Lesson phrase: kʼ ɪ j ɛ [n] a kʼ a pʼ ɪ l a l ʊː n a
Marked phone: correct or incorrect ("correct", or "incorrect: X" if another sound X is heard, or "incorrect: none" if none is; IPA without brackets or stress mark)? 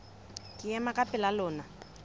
incorrect: m